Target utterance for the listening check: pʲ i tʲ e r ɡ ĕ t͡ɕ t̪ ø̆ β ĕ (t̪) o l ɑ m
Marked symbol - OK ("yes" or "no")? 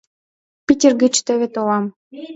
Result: yes